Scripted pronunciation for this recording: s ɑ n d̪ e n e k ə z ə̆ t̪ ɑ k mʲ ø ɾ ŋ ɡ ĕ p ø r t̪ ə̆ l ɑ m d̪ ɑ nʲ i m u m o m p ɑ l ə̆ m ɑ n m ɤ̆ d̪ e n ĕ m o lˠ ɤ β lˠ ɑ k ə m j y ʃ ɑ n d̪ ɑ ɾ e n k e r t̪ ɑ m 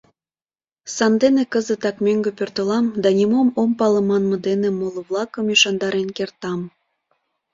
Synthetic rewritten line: s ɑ n d̪ e n e k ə z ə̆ t̪ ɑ k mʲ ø ŋ ɡ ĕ p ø r t̪ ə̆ l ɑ m d̪ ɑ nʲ i m o m o m p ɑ l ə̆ m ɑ n m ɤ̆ d̪ e n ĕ m o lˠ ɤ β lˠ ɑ k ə m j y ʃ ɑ n d̪ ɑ ɾ e n k e r t̪ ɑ m